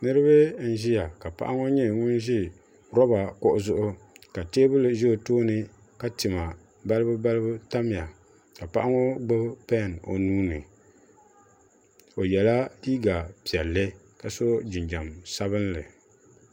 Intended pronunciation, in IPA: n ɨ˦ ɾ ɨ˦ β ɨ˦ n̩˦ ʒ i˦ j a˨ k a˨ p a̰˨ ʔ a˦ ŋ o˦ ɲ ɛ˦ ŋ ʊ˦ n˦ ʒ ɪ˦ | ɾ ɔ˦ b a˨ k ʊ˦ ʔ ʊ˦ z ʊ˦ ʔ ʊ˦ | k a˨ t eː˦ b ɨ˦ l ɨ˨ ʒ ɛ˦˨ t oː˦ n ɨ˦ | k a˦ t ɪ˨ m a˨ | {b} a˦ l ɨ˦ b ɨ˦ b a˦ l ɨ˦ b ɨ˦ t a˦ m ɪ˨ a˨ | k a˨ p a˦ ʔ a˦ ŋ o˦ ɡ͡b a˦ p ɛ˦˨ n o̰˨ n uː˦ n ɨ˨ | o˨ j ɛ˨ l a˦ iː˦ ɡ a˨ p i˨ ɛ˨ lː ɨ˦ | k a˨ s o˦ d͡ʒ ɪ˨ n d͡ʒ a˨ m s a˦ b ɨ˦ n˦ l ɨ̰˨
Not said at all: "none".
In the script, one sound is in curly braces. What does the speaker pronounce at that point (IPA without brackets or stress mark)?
b